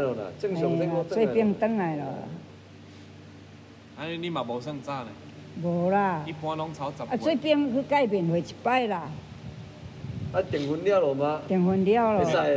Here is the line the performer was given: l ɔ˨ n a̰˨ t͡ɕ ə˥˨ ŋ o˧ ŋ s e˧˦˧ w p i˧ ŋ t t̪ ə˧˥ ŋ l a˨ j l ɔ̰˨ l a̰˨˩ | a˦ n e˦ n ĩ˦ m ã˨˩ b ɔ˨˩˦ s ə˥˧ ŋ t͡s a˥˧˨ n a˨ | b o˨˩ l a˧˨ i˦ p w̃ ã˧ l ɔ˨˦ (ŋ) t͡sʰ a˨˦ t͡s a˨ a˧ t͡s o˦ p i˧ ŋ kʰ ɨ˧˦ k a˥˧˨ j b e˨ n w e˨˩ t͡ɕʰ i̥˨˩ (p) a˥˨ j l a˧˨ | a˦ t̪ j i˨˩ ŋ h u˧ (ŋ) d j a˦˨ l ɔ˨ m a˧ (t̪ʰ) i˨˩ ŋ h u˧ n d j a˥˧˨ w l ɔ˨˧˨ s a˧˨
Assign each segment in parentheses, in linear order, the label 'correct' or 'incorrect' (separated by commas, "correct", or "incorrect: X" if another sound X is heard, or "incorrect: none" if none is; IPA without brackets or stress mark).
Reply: correct, correct, incorrect: n, incorrect: t̪